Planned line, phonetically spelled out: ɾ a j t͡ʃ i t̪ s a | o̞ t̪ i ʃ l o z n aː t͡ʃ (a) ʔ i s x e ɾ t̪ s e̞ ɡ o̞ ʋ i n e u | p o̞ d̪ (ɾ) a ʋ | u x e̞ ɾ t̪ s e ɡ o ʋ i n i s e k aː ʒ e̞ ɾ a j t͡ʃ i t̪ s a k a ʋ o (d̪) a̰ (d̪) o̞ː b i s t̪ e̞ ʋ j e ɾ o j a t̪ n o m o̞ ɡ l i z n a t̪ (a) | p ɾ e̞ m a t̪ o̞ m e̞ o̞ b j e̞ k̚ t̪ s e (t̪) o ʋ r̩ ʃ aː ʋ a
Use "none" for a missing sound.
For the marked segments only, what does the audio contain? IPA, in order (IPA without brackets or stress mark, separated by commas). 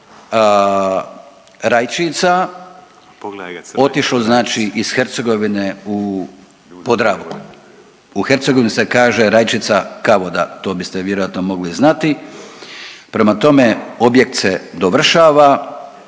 i, ɾ, d̪, t̪, i, d̪